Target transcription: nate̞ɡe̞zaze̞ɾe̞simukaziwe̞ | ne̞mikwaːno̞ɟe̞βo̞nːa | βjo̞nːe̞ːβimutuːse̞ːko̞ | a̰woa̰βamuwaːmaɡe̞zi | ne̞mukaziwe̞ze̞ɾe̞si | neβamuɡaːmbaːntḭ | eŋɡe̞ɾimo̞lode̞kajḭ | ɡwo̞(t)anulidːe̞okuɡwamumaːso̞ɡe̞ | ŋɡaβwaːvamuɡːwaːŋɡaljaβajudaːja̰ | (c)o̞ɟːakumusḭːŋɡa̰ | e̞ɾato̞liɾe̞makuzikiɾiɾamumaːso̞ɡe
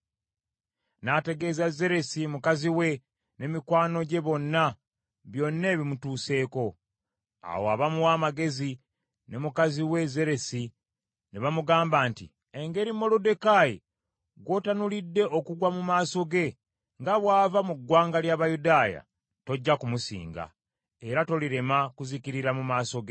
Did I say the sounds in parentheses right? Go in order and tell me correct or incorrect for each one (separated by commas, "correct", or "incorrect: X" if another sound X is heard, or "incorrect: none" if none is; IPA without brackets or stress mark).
correct, incorrect: t